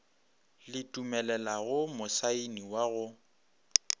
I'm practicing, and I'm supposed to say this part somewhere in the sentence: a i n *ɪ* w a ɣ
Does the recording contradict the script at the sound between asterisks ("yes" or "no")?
yes